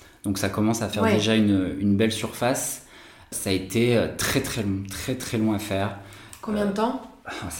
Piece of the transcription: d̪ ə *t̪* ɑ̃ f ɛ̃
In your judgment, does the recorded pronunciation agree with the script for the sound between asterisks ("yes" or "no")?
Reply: yes